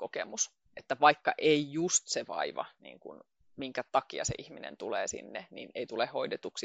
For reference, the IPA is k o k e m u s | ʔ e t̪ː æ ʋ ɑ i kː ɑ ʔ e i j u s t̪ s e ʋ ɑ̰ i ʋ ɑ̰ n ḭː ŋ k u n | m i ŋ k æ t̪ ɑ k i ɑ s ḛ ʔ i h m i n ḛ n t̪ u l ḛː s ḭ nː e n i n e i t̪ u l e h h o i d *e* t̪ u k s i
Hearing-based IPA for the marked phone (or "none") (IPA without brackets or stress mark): e